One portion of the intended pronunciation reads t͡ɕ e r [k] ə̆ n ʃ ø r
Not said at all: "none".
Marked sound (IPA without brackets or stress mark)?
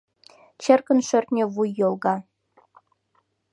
k